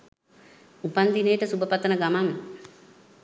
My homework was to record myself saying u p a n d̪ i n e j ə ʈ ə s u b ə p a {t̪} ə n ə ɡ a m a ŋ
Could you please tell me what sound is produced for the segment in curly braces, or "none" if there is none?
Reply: t̪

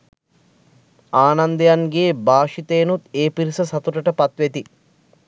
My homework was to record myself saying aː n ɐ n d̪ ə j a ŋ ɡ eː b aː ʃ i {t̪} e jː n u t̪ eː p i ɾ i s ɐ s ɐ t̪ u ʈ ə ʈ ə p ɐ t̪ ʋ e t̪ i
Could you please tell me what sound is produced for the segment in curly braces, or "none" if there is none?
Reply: t̪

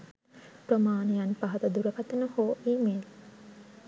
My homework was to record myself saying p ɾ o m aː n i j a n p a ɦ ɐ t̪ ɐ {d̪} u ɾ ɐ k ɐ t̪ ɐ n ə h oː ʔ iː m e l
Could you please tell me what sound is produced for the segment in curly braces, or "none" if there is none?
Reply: d̪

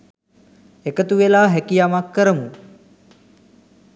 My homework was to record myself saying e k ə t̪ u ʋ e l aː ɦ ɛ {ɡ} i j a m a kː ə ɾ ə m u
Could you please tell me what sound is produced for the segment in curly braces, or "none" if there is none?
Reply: k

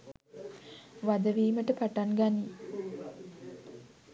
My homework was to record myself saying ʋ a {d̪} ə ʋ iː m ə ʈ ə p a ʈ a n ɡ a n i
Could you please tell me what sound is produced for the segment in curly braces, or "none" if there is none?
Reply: d̪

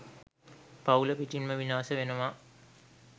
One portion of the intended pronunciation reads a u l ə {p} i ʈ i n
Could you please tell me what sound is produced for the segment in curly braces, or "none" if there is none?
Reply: p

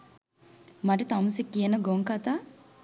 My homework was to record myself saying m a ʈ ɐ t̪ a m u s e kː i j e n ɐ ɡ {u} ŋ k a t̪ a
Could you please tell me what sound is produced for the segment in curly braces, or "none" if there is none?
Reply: o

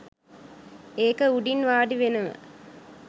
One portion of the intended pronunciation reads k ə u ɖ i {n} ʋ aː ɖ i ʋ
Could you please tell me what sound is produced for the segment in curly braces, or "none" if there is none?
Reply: n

